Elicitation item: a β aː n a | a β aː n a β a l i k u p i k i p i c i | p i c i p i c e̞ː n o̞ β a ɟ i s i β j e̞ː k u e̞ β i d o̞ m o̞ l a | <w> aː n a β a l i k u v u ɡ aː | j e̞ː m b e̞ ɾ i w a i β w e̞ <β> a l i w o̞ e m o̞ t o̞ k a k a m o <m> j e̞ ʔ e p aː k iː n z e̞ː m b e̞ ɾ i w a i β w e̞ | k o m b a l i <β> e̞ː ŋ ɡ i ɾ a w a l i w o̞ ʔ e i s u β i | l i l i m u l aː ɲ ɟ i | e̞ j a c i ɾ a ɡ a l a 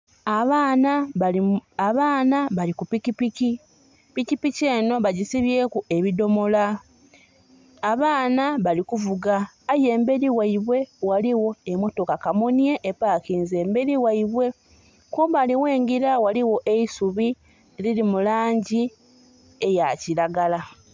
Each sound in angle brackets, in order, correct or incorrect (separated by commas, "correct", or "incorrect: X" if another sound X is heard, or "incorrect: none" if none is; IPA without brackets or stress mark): incorrect: β, incorrect: w, incorrect: n, incorrect: w